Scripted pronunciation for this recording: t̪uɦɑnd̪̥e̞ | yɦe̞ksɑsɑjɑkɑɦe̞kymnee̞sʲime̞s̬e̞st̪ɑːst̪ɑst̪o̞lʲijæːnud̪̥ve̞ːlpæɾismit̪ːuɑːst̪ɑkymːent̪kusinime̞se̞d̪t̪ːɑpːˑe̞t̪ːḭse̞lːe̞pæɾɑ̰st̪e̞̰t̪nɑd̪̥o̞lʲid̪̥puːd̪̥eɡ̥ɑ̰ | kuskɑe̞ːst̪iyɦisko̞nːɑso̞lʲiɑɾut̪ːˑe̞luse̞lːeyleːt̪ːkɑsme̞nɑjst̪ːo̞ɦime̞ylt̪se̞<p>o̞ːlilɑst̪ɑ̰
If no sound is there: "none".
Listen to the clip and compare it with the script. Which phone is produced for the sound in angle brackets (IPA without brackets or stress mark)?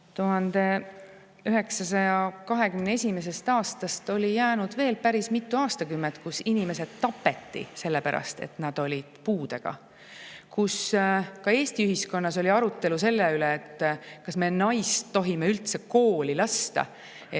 k